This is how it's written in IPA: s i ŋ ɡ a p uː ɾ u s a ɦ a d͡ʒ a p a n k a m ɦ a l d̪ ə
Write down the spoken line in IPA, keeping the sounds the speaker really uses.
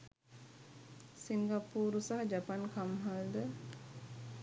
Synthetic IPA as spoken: s i ŋ ɡ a p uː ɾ u s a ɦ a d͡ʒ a p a n k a m ɦ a l d̪ ə